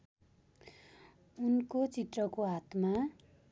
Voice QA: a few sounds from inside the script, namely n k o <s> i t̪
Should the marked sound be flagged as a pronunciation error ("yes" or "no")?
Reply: yes